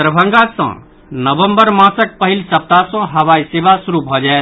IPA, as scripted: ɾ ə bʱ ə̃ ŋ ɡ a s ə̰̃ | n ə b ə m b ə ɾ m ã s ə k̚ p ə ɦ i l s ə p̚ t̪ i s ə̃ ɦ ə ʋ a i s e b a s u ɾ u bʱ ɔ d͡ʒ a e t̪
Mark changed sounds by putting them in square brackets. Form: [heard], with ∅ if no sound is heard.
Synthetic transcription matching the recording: ɾ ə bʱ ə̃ ŋ ɡ a s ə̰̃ | n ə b ə m b ə ɾ m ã s ə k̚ p ə ɦ i l s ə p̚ t̪ [a] s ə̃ ɦ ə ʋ a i s e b a s u ɾ u bʱ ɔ d͡ʒ a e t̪